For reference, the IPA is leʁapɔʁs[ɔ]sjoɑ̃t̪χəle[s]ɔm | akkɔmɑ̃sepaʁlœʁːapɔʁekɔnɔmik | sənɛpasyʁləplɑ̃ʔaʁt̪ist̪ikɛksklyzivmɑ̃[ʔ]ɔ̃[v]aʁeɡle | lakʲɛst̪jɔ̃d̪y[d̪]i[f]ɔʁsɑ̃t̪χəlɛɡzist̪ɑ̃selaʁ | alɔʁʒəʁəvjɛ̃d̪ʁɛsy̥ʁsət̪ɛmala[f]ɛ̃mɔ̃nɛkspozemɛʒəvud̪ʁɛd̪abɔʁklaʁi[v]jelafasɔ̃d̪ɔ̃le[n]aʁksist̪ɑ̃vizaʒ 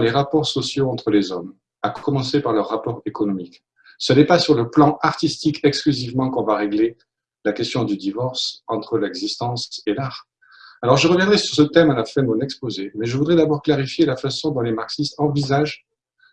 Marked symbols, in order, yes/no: yes, no, no, yes, yes, no, yes, no, no

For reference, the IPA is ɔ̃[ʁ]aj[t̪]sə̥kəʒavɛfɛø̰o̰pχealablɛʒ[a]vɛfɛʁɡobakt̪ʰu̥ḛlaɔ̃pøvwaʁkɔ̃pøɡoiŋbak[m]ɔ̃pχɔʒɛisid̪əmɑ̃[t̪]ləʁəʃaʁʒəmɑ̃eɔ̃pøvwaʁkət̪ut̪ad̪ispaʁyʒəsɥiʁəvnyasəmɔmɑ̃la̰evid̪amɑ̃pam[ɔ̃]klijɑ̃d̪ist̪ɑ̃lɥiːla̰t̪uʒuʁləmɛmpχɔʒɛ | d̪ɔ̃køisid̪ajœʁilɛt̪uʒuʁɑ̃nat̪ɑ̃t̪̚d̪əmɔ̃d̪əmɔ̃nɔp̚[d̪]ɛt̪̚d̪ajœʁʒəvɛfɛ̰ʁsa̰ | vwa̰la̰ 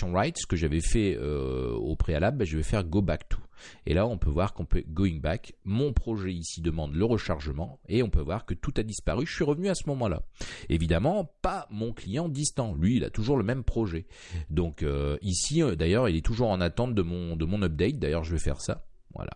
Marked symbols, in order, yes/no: yes, yes, no, yes, no, yes, yes

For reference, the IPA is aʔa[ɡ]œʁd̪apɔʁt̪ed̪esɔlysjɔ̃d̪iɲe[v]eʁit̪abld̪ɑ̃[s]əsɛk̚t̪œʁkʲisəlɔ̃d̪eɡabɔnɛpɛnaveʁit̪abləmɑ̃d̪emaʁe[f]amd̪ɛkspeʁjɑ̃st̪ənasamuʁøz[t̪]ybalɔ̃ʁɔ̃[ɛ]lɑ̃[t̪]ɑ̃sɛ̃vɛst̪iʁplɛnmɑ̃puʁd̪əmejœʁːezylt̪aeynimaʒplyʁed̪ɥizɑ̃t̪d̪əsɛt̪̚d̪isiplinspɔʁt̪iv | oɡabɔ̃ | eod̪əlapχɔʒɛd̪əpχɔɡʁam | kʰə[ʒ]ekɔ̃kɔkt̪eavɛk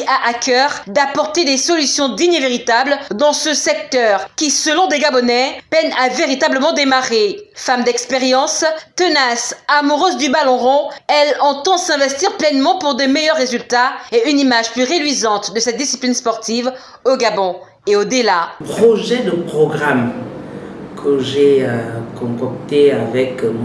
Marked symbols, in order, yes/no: no, yes, yes, yes, no, yes, yes, yes

